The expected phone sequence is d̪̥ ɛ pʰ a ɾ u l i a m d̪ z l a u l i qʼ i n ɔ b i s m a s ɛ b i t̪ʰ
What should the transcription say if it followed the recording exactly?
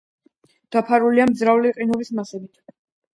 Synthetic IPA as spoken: d̪̥ a pʰ a ɾ u l i a m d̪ z ɾ a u l i qʼ i n ɔ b i s m a s ɛ b i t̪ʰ